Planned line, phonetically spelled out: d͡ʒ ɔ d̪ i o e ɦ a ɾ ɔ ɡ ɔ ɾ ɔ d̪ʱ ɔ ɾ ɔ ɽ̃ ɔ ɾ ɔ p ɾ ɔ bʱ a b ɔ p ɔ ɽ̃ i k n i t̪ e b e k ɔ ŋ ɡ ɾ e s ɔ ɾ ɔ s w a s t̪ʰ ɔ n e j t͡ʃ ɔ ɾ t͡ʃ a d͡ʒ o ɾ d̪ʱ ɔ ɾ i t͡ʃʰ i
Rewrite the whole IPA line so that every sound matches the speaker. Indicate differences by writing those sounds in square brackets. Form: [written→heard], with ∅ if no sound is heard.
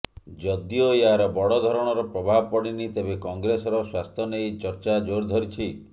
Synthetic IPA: d͡ʒ ɔ d̪ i o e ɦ a ɾ ɔ [ɡ→b] ɔ [ɾ→ɽ] ɔ d̪ʱ ɔ ɾ ɔ ɽ̃ ɔ ɾ ɔ p ɾ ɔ bʱ a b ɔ p ɔ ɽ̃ i [k→∅] n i t̪ e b e k ɔ ŋ ɡ ɾ e s ɔ ɾ ɔ s w a s t̪ʰ ɔ n e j t͡ʃ ɔ ɾ t͡ʃ a d͡ʒ o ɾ d̪ʱ ɔ ɾ i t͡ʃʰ i